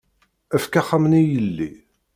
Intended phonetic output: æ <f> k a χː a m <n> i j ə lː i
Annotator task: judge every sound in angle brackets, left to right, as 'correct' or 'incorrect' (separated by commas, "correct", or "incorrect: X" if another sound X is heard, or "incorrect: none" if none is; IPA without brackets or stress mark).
correct, correct